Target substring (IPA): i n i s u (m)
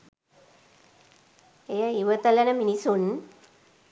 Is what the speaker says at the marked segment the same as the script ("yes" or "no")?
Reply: no